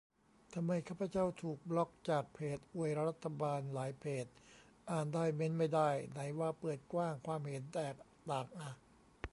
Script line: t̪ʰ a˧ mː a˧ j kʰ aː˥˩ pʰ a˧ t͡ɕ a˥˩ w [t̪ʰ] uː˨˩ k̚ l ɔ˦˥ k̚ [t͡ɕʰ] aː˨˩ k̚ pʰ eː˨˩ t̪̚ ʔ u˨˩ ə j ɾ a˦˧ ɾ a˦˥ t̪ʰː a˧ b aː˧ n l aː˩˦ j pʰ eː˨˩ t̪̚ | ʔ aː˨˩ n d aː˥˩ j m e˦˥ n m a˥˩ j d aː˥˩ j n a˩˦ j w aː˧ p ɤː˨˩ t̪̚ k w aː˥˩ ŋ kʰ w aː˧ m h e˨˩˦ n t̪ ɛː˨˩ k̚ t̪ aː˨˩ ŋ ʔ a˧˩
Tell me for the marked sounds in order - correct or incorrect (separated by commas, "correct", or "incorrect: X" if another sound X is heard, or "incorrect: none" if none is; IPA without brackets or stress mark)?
correct, incorrect: t͡ɕ